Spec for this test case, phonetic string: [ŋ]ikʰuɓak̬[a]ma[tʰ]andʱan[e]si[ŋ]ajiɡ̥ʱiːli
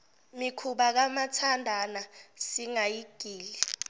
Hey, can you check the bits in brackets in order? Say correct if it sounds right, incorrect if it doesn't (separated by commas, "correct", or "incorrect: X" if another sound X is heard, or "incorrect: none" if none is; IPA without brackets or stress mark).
incorrect: m, correct, correct, incorrect: a, correct